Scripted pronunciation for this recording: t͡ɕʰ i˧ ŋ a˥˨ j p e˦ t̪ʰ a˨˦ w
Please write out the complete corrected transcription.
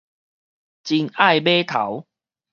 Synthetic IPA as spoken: t͡ɕ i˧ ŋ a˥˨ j b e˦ t̪ʰ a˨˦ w

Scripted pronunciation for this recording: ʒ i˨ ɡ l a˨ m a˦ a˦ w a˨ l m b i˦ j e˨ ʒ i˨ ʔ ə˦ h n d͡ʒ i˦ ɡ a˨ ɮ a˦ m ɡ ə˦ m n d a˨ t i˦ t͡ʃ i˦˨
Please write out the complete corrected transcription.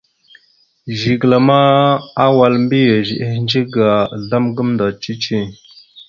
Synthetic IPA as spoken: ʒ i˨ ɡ l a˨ m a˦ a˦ w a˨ l m b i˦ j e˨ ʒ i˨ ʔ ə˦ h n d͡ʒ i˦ ɡ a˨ ɮ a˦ m ɡ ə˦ m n d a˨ t͡ʃ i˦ t͡ʃ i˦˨

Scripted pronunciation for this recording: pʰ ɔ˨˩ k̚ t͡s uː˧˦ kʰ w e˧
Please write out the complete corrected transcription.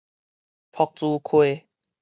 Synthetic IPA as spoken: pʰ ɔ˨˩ k̚ t͡s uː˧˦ kʰ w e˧

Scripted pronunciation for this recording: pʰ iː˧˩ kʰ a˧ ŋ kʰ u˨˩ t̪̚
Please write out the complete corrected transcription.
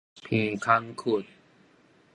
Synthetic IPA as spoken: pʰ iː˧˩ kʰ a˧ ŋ kʰ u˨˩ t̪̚

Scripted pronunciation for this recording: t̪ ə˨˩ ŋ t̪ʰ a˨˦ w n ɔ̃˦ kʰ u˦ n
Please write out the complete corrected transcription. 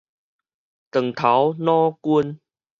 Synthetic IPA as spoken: t̪ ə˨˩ ŋ t̪ʰ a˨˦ w n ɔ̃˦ k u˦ n

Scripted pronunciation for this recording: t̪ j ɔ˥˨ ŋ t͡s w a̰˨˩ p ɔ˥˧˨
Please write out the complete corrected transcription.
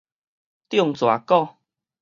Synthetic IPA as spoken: t̪ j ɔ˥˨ ŋ t͡s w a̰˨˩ k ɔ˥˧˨

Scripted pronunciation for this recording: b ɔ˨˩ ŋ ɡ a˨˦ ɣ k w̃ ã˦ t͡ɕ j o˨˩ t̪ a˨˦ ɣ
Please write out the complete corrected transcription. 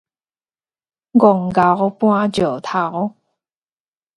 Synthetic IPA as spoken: ɡ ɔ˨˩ ŋ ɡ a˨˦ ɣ p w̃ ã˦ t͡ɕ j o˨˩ t̪ʰ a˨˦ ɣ

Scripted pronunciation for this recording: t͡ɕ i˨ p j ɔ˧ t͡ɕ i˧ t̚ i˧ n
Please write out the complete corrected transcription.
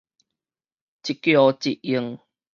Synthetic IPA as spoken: t͡ɕ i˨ k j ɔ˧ t͡ɕ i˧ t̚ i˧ ŋ

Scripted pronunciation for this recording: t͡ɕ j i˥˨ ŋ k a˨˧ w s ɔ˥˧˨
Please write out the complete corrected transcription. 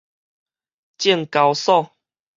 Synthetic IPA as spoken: t͡ɕ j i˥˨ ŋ k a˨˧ w s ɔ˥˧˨

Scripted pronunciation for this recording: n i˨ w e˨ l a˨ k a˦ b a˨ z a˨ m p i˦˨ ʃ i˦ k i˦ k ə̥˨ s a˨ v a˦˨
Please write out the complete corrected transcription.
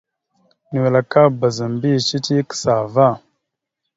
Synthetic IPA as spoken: n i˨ w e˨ l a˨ k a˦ b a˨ z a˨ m b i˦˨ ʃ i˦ t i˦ k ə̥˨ s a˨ v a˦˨

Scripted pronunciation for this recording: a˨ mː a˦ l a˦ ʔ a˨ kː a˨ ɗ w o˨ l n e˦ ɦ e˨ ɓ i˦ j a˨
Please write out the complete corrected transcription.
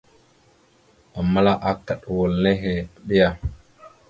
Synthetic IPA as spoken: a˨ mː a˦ l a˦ ʔ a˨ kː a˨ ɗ w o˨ l n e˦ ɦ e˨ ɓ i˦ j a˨

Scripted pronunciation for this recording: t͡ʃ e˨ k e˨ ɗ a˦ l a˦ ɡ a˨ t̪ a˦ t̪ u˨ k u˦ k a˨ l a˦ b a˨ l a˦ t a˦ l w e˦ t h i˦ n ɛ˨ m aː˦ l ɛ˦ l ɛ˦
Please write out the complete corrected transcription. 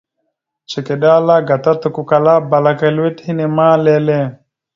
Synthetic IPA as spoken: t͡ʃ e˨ k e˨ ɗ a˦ l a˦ ɡ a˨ t̪ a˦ t̪ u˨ k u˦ k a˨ l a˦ b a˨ l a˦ k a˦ l w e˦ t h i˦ n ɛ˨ m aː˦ l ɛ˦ l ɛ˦

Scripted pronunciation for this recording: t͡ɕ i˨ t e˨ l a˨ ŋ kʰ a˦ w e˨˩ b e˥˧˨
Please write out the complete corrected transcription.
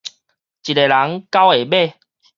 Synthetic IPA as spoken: t͡ɕ i˨ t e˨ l a˨˦ ŋ k a˦ w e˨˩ b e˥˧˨

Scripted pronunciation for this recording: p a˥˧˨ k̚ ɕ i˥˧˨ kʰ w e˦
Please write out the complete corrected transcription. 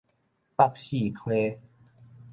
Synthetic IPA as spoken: p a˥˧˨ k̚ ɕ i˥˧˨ kʰ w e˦

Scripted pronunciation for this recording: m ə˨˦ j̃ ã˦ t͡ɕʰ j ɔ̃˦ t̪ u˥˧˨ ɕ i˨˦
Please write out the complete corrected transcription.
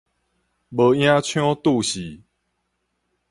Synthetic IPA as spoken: b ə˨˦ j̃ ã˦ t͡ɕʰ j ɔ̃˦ t̪ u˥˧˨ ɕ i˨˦

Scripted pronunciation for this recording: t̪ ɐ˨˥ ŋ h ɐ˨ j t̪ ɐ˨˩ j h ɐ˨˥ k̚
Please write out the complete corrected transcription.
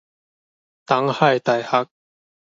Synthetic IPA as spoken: t̪ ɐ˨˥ ŋ h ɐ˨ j t̪ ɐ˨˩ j h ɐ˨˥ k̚

